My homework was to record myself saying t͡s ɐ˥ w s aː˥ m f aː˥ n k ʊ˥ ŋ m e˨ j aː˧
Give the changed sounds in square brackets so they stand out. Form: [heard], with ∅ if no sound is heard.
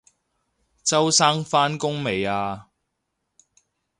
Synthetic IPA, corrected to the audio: t͡s ɐ˥ w s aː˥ [ŋ] f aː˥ n k ʊ˥ ŋ m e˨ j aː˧